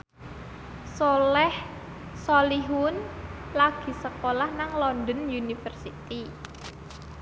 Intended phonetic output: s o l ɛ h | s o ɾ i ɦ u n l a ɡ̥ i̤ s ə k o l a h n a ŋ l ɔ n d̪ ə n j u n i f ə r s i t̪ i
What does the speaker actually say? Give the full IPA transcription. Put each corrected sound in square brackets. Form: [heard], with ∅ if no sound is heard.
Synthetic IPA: s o l ɛ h | s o [l] i ɦ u n l a ɡ̥ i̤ s ə k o l a h n a ŋ l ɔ n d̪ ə n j u n i f ə r s i t̪ i